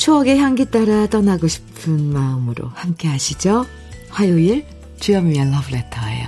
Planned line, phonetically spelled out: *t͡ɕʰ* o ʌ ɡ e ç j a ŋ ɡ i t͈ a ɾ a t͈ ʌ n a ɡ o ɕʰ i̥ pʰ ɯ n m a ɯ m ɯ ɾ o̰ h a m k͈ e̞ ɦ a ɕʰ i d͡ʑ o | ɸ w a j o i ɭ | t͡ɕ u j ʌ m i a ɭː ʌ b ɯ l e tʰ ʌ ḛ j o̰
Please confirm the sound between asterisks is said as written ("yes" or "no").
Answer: yes